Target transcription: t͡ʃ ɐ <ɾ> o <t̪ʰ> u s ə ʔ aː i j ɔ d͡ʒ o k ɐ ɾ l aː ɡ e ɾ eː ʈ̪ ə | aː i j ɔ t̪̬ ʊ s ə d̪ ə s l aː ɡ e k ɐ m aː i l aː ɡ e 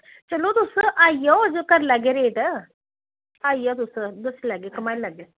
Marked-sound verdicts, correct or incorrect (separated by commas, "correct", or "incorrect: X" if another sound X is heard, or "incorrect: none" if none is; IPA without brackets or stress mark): incorrect: l, incorrect: t̪